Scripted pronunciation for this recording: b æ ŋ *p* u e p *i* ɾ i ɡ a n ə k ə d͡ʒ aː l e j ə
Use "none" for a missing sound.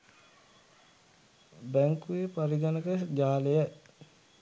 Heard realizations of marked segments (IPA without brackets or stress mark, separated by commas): k, a